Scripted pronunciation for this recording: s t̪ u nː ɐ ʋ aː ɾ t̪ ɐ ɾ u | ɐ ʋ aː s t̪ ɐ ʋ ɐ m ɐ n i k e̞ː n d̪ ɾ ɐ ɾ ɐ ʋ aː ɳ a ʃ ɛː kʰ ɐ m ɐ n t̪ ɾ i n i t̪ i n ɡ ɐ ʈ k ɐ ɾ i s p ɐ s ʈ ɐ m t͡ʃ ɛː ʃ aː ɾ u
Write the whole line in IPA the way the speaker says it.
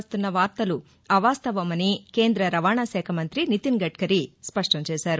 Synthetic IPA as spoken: s t̪ u nː ɐ ʋ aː ɾ t̪ ɐ l u | ɐ ʋ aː s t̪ ɐ ʋ ɐ m ɐ n i k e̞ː n d̪ ɾ ɐ ɾ ɐ ʋ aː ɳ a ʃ ɛː kʰ ɐ m ɐ n t̪ ɾ i n i t̪ i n ɡ ɐ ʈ k ɐ ɾ i s p ɐ ʂ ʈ ɐ m t͡ʃ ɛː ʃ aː ɾ u